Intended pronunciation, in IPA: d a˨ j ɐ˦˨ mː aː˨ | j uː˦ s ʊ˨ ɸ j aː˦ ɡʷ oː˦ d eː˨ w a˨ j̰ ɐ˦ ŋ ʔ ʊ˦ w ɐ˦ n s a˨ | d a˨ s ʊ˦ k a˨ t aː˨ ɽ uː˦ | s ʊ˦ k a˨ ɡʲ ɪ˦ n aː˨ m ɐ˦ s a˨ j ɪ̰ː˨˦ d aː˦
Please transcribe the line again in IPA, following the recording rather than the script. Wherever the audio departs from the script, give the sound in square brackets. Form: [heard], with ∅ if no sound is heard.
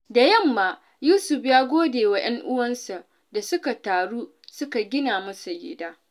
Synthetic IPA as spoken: d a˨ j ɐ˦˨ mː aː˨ | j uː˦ s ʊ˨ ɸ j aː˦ ɡʷ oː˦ d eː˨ w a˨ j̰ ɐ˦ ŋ ʔ ʊ˦ w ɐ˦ n s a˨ | d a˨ s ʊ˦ k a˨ t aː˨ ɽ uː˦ | s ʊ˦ k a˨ ɡʲ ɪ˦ n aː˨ m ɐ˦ s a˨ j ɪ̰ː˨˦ d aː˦

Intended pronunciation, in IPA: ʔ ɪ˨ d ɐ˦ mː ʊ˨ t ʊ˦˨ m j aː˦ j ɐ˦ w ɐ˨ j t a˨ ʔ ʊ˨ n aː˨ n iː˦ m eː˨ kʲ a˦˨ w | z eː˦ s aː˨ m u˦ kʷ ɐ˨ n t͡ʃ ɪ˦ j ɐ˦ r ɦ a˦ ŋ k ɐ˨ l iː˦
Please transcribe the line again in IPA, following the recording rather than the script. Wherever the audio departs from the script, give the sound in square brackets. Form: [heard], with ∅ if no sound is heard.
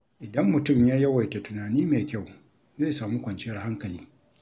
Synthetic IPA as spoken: ʔ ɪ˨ d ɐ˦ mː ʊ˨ t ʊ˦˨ m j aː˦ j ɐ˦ w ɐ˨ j t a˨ [t] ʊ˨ n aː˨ n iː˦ m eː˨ kʲ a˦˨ w | z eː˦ s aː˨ m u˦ kʷ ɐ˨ n t͡ʃ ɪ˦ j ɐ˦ r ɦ a˦ ŋ k ɐ˨ l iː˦

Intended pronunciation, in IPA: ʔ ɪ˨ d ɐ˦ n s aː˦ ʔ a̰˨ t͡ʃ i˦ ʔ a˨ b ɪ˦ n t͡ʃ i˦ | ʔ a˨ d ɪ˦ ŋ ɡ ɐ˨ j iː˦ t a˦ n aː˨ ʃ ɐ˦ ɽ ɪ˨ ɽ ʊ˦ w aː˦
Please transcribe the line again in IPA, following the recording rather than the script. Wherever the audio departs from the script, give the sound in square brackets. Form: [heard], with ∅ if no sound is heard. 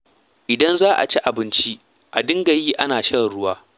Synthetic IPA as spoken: ʔ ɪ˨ d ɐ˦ n [z] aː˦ ʔ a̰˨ t͡ʃ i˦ ʔ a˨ b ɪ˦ n t͡ʃ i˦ | ʔ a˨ d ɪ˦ ŋ ɡ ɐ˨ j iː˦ [ʔ] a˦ n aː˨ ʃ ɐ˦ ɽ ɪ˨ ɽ ʊ˦ w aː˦

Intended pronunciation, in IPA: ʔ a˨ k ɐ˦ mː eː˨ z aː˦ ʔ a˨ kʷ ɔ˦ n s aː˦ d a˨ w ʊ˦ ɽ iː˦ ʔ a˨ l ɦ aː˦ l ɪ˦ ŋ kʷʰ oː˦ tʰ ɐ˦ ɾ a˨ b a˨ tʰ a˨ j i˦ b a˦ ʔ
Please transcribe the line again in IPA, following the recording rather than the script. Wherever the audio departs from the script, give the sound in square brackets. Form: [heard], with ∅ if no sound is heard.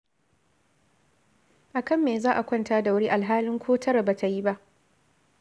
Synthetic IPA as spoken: ʔ a˨ k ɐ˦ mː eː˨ z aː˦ ʔ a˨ kʷ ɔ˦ n [t] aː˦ d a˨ w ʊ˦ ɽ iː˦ ʔ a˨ l ɦ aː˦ l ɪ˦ ŋ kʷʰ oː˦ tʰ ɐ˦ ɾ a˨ b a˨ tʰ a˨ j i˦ b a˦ ʔ

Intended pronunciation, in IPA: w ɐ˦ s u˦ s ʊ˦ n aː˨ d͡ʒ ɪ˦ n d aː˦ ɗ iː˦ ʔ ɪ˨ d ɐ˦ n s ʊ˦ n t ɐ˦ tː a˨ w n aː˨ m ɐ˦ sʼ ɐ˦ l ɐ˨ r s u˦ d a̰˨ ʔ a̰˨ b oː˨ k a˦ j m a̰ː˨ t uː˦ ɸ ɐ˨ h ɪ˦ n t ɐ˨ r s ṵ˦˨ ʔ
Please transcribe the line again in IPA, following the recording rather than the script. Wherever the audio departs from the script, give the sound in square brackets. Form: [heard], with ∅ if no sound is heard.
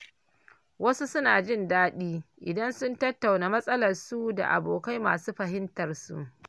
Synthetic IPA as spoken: w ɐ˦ s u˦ s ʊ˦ n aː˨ d͡ʒ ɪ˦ n d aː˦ ɗ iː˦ ʔ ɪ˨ d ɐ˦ n s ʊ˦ n t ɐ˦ tː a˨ w n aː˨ m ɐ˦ sʼ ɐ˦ l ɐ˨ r s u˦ d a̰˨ ʔ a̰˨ b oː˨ k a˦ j m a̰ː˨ [s] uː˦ ɸ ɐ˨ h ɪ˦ n t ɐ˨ r s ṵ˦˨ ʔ

